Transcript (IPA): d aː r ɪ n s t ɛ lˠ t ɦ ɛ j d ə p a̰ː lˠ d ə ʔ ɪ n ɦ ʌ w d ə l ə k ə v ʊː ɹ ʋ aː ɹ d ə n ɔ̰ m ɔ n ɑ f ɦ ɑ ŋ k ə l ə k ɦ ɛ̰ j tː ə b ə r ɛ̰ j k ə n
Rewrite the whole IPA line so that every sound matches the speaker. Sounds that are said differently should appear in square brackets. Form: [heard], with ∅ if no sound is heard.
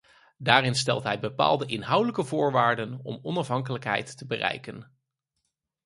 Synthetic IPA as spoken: d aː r ɪ n s t ɛ lˠ t ɦ ɛ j [b] ə p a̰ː lˠ d ə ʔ ɪ n ɦ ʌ w d ə l ə k ə v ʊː ɹ ʋ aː ɹ d ə n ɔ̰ m ɔ n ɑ f ɦ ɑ ŋ k ə l ə k ɦ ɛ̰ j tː ə b ə r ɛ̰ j k ə n